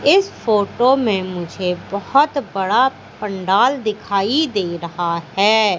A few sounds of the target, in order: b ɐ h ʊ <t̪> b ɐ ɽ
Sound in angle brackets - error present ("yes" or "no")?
no